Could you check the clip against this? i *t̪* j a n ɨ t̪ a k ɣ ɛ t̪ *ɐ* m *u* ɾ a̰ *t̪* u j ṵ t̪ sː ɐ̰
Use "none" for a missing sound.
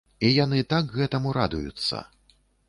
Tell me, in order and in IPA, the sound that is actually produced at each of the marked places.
none, ɐ, u, d̪

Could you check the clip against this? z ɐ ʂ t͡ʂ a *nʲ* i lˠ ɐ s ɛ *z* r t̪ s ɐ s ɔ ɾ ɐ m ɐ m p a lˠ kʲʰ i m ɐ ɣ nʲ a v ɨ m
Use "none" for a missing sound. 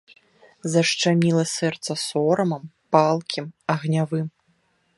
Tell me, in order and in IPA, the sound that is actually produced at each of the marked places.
mʲ, none

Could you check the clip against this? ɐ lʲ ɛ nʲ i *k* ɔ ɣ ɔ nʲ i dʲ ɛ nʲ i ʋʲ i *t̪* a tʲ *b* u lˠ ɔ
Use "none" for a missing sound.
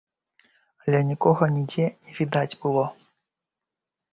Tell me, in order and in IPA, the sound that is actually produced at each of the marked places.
k, d̪, b

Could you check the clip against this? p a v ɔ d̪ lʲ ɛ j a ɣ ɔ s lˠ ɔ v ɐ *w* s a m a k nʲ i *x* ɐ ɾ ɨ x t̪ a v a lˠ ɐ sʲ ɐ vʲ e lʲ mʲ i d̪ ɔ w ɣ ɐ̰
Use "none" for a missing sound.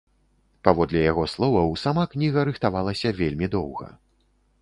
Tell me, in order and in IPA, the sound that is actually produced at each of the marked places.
w, ɣ

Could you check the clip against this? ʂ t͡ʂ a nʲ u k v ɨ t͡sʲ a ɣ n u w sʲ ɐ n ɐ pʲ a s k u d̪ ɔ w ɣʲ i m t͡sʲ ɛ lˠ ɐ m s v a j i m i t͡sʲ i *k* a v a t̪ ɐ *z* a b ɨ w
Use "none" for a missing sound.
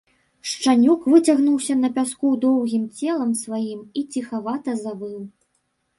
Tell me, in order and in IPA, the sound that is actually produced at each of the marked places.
x, z

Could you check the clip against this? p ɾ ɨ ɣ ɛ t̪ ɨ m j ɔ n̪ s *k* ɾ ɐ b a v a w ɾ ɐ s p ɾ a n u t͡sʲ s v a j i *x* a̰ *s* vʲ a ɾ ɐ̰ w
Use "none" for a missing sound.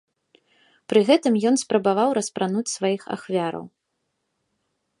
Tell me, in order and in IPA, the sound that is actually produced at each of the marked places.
p, x, x

